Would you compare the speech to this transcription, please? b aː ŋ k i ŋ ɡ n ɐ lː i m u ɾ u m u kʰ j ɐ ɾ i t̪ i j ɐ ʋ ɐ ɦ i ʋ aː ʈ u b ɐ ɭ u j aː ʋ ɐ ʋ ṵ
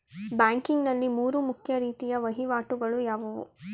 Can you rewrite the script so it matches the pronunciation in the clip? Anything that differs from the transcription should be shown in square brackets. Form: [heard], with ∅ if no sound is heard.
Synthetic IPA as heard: b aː ŋ k i ŋ ɡ n ɐ lː i m [uː] ɾ u m u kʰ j ɐ ɾ [iː] t̪ i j ɐ ʋ ɐ ɦ i ʋ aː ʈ u [ɡ] ɐ ɭ u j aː ʋ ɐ ʋ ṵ